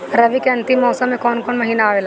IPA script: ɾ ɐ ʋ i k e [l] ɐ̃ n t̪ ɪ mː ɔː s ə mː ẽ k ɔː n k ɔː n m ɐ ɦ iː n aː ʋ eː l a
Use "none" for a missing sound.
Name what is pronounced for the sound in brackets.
none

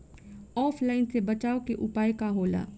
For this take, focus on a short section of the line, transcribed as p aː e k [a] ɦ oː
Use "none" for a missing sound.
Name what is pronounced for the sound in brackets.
a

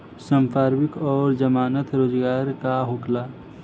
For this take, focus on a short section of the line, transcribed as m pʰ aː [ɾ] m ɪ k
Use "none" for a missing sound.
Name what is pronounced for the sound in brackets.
ɾ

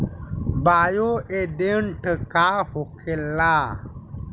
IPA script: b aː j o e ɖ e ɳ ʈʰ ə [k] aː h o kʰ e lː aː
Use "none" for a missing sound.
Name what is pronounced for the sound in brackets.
k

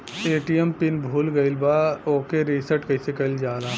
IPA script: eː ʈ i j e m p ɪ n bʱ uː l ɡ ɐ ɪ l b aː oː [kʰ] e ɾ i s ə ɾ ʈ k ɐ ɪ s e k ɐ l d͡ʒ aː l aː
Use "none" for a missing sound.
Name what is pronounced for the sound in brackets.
k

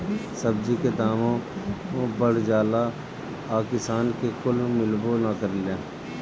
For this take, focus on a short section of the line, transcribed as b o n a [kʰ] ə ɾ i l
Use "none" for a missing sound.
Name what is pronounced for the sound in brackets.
k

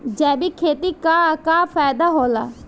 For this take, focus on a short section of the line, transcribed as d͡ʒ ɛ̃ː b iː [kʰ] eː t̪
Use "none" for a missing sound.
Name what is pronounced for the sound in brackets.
kʰ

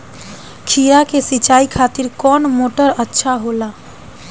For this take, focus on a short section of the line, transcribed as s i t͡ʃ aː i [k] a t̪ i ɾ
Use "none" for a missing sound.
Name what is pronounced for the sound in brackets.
kʰ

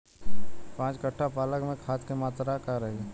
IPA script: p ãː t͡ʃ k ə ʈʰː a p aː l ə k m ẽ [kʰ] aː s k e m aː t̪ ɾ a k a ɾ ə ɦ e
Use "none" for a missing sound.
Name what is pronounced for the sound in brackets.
kʰ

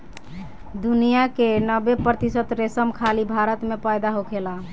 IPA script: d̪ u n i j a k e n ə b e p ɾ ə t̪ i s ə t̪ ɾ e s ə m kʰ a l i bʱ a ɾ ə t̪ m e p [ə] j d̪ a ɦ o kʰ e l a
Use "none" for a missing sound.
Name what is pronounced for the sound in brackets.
a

